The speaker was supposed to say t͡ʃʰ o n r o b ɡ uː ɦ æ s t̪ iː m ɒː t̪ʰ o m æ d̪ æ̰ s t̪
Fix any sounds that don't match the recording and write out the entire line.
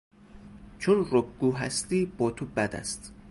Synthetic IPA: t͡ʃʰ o n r o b ɡ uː ɦ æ s t̪ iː b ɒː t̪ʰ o b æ d̪ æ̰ s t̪

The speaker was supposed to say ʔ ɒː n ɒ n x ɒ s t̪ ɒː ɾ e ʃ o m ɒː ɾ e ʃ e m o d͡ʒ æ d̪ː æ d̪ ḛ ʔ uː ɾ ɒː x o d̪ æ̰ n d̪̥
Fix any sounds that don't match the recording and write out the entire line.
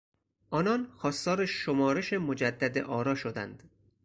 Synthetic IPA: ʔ ɒː n ɒ n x ɒː s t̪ ɒː ɾ e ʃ o m ɒː ɾ e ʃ e m o d͡ʒ æ d̪ː æ d̪ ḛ ʔ ɒː ɾ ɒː ʃ o d̪ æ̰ n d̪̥

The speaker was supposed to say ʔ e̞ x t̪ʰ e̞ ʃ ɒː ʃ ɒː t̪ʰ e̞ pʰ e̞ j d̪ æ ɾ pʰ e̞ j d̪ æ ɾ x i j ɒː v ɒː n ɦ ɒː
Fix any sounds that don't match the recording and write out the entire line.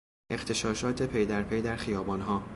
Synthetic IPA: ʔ e̞ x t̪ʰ e̞ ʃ ɒː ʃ ɒː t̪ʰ e̞ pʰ e̞ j d̪ æ ɾ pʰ e̞ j d̪ æ ɾ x i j ɒː b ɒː n ɦ ɒː

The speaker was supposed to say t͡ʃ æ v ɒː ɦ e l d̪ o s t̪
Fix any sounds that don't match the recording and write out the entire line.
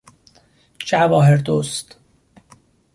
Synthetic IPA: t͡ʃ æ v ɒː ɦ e ɾ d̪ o s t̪

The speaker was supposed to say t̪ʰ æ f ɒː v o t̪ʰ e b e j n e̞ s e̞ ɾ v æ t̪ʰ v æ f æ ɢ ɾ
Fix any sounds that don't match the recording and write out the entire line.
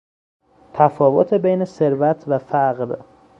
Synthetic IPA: t̪ʰ æ f ɒː v o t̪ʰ e b e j n e̞ s e̞ ɾ v æ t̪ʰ v æ f æ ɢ ɾ

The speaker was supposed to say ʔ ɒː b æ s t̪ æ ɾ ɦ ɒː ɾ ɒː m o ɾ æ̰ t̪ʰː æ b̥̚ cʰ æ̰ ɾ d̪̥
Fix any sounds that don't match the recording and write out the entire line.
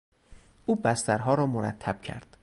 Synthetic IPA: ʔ uː b æ s t̪ æ ɾ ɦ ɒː ɾ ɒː m o ɾ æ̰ t̪ʰː æ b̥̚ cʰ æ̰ ɾ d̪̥

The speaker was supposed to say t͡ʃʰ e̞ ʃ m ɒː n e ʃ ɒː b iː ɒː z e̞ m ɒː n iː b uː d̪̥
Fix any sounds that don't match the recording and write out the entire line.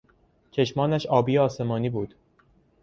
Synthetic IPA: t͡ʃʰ e̞ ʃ m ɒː n æ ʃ ɒː b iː ɒː s e̞ m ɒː n iː b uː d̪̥

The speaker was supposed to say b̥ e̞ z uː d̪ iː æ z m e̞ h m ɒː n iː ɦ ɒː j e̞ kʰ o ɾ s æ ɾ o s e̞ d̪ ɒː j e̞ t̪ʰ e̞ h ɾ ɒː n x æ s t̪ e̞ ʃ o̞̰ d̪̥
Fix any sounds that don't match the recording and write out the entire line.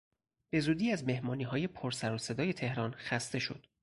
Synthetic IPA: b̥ e̞ z uː d̪ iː æ z m e̞ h m ɒː n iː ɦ ɒː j e̞ pʰ o ɾ s æ ɾ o s e̞ d̪ ɒː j e̞ t̪ʰ e̞ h ɾ ɒː n x æ s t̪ e̞ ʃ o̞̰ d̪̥

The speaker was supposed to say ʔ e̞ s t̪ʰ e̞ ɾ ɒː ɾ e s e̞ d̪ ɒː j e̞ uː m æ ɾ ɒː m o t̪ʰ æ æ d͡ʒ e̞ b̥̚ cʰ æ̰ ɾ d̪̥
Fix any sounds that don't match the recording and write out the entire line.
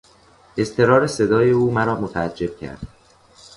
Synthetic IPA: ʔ e̞ s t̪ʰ e̞ ɾ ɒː ɾ e s e̞ d̪ ɒː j e̞ uː m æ ɾ ɒː m o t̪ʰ æ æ d͡ʒː e̞ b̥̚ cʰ æ̰ ɾ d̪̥

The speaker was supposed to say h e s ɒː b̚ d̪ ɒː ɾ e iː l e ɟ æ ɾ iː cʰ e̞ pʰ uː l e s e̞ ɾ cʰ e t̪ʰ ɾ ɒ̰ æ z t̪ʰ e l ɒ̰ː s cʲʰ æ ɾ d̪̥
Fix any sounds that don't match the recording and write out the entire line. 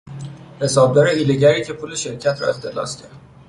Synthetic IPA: h e s ɒː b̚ d̪ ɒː ɾ e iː l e ɟ æ ɾ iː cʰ e̞ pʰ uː l e ʃ e̞ ɾ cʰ æ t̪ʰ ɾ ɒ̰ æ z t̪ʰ e l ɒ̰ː s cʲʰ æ ɾ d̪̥

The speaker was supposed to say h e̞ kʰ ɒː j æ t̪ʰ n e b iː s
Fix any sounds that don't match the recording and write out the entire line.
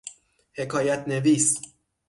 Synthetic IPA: h e̞ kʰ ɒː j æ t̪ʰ n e v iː s

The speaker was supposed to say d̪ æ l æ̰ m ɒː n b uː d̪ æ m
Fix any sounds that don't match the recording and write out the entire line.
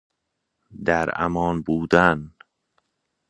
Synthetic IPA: d̪ æ ɾ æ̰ m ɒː n b uː d̪ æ n

